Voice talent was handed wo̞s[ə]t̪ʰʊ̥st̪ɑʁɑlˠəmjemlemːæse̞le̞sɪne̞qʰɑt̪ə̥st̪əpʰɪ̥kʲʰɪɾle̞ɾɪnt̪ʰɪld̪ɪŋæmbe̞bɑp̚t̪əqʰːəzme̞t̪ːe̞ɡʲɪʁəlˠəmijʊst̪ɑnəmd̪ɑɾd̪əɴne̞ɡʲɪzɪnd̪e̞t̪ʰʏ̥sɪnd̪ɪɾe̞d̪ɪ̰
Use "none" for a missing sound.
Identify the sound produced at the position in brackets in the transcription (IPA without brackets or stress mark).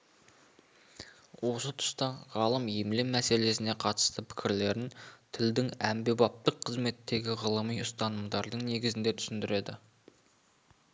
ə